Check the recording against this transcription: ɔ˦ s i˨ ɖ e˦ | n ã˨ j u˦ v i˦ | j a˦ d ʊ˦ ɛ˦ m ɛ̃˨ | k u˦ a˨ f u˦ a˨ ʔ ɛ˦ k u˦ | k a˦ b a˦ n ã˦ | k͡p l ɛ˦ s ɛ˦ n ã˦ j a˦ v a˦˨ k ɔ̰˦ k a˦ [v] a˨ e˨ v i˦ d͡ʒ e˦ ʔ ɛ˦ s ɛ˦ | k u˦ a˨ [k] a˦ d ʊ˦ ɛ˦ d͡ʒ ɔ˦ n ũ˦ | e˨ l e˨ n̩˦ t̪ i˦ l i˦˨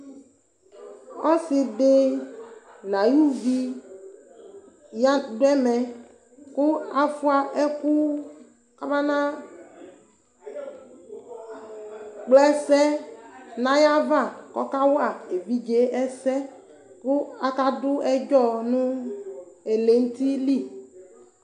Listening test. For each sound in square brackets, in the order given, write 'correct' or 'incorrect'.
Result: incorrect: w, correct

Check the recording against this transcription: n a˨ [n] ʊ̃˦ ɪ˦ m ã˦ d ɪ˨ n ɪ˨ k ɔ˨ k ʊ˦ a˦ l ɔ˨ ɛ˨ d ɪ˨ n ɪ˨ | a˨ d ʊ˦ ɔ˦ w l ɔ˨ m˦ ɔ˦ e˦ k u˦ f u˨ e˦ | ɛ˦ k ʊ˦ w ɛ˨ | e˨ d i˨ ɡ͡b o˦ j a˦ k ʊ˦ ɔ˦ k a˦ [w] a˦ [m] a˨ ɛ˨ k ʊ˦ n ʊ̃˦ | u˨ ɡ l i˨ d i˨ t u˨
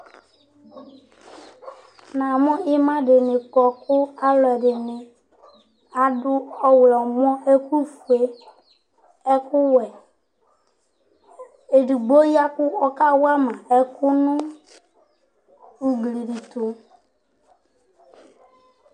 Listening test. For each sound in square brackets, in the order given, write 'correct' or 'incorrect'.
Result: incorrect: m, correct, correct

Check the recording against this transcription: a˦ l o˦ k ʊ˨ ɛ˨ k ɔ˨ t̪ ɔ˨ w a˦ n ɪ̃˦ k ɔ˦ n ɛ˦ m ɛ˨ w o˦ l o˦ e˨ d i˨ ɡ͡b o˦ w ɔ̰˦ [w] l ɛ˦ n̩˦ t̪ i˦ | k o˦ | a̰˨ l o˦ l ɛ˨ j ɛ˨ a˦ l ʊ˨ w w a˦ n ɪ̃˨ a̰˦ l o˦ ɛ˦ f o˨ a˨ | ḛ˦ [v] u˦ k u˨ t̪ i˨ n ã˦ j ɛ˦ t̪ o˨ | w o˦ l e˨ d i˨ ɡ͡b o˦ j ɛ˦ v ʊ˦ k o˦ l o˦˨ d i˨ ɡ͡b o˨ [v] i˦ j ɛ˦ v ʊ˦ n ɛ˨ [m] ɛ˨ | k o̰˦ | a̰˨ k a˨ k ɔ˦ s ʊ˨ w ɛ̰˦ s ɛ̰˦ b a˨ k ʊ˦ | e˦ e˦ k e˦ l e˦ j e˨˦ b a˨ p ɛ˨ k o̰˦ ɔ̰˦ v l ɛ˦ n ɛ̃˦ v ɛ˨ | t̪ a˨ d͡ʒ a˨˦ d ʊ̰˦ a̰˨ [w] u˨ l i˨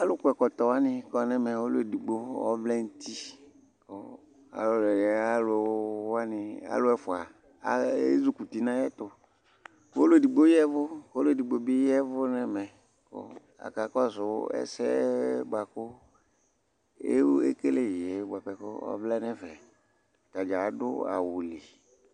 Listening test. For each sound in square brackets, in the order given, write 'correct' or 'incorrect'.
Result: incorrect: v, incorrect: z, incorrect: b, correct, correct

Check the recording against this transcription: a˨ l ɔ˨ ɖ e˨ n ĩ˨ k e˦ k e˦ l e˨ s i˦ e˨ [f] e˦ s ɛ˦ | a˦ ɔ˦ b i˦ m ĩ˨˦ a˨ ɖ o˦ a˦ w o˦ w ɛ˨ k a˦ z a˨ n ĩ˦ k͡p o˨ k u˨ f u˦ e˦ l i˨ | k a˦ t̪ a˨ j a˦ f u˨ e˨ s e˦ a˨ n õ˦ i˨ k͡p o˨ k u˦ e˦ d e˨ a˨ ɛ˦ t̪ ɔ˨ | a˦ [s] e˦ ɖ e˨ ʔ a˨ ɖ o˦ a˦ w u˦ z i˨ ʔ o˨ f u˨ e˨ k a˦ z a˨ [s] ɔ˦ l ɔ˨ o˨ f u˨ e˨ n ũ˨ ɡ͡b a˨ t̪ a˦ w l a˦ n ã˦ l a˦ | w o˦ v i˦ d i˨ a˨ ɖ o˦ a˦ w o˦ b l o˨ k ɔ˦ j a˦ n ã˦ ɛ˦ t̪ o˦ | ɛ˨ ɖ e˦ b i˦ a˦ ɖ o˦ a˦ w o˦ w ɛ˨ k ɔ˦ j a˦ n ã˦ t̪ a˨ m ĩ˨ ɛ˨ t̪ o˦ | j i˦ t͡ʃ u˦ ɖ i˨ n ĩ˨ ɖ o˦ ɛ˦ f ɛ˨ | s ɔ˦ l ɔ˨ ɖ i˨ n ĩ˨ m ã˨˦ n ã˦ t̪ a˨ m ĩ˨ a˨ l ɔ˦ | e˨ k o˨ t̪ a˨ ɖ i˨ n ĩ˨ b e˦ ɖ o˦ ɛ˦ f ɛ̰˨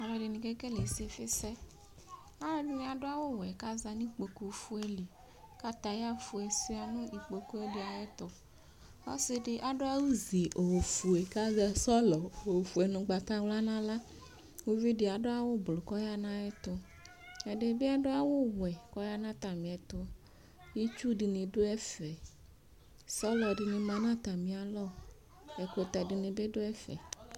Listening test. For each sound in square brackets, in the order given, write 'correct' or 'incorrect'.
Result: correct, correct, correct

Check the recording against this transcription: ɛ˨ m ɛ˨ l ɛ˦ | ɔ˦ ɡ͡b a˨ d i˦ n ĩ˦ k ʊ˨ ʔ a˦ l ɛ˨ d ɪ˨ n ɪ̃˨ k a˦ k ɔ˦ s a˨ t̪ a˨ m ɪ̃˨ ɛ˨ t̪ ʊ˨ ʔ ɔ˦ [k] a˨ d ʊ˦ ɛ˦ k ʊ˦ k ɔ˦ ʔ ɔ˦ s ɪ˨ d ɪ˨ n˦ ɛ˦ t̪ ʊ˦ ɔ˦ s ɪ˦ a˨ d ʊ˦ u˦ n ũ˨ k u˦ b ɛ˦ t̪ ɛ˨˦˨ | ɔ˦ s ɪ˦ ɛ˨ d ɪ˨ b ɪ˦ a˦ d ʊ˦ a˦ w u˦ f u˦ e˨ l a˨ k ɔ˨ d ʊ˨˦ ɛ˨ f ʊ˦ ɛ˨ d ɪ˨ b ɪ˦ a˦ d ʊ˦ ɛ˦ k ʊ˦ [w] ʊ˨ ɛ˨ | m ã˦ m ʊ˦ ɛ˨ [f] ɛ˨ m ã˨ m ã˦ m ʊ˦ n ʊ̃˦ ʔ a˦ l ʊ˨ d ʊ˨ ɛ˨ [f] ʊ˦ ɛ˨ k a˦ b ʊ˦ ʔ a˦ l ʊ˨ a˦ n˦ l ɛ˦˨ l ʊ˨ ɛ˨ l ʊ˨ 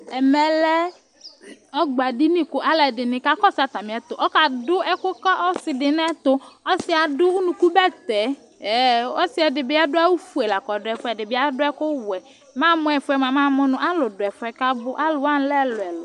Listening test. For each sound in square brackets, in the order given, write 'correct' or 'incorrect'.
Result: correct, correct, correct, correct

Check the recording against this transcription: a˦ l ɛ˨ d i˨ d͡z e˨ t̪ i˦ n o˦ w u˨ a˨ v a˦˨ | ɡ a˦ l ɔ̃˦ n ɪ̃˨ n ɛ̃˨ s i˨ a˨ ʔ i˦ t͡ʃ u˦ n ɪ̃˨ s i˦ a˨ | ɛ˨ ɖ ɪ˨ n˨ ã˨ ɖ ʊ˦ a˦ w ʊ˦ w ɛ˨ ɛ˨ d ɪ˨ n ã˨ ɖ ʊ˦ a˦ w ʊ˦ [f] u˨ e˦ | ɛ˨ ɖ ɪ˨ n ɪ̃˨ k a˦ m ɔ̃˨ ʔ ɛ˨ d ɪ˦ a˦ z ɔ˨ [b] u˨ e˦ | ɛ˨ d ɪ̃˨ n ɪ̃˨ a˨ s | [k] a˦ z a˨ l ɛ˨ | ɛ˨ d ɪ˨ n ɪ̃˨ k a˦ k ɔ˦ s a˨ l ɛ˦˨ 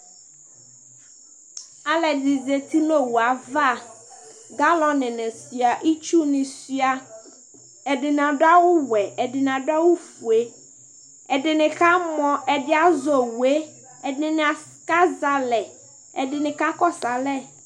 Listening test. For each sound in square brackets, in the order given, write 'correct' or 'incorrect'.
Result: correct, incorrect: w, correct

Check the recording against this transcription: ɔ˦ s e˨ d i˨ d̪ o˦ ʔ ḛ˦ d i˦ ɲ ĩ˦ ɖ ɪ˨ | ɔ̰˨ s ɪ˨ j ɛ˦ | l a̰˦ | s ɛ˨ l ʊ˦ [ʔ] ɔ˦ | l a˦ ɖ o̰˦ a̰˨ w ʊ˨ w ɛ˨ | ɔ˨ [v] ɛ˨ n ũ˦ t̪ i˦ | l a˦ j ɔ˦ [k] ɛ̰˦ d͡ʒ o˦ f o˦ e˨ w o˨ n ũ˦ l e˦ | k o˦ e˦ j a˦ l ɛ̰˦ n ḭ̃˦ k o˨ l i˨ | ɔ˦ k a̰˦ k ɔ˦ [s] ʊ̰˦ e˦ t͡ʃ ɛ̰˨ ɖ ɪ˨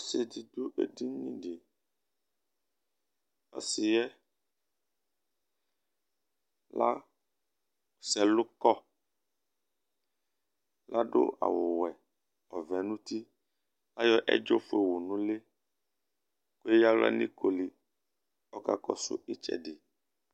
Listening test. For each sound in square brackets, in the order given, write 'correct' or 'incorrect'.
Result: incorrect: k, correct, incorrect: ʔ, correct

